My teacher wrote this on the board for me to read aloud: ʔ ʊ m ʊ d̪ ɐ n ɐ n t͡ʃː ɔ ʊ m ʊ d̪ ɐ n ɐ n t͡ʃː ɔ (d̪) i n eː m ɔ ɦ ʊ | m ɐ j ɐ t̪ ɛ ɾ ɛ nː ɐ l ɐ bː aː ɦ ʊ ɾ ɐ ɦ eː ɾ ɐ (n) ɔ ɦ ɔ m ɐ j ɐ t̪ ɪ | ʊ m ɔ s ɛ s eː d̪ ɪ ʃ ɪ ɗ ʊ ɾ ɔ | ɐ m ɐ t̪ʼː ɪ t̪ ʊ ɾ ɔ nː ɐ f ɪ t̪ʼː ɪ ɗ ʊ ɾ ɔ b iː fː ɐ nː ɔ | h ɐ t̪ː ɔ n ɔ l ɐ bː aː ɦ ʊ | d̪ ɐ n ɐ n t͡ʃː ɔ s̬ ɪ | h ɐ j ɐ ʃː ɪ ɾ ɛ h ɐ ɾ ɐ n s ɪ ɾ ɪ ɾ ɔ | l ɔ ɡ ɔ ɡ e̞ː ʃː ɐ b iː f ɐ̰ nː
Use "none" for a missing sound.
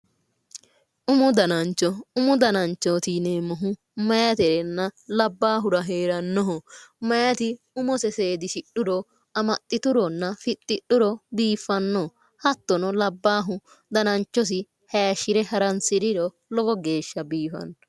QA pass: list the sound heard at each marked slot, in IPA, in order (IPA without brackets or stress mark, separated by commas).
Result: t̪, nː